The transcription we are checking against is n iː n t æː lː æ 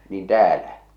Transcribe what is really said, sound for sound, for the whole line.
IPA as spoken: n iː n t æː l æ